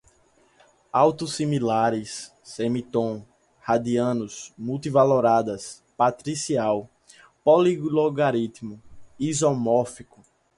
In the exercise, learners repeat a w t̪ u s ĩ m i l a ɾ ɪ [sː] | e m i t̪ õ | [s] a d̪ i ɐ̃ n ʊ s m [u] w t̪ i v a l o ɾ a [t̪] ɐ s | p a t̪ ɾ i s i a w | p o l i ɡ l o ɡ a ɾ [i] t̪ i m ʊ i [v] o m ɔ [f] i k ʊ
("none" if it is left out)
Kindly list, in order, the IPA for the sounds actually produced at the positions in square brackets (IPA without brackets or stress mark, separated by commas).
sː, h, u, d̪, i, z, f